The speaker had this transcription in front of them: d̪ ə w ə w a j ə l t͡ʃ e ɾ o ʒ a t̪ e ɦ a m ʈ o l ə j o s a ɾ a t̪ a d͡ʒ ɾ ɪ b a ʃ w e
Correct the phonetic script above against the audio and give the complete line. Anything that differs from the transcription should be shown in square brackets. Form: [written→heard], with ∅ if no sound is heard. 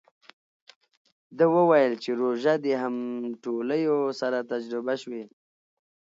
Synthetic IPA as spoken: d̪ ə w ə w a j ə l t͡ʃ e ɾ o ʒ a [t̪→d̪] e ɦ a m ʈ o l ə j o s a ɾ a t̪ a d͡ʒ ɾ ɪ b a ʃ w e